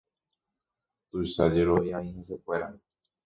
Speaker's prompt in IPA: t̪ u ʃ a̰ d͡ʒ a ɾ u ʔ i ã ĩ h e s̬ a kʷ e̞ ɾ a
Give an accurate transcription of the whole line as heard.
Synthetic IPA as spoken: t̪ u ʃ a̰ d͡ʒ e ɾ o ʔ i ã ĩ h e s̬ e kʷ e̞ ɾ a